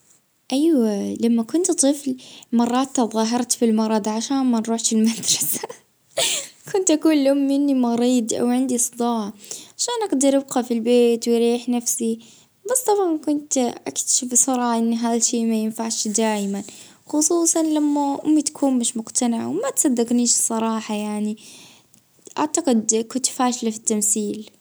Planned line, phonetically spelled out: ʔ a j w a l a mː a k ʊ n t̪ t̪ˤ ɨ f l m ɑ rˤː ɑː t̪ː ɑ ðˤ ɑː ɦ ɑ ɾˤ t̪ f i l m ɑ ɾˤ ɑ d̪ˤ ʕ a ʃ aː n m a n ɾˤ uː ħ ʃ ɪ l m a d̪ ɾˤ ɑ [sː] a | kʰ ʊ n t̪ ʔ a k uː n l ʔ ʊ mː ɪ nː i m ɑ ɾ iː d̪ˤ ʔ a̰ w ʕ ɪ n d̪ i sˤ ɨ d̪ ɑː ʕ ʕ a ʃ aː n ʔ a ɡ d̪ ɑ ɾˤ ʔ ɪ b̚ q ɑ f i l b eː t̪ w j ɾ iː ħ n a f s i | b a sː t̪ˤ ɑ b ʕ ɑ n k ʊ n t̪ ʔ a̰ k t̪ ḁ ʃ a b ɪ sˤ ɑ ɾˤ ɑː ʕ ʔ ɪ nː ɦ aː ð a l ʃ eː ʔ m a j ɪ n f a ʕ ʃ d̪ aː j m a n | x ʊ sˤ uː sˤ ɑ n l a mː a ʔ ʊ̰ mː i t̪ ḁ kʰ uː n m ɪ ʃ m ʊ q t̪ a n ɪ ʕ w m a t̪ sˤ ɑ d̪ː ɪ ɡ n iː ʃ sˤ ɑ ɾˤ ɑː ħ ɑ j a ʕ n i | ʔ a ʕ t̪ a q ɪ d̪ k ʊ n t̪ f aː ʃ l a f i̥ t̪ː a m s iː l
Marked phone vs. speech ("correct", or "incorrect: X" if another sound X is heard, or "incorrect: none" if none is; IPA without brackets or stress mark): incorrect: s